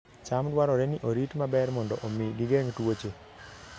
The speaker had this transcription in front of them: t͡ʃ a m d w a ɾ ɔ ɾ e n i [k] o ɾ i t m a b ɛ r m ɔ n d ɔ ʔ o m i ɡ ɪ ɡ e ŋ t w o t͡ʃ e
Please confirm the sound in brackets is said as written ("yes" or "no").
no